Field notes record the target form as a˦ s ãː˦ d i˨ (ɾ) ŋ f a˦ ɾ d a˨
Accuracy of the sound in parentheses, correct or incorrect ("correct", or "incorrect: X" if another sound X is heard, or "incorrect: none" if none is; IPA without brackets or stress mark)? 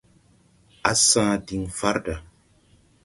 incorrect: none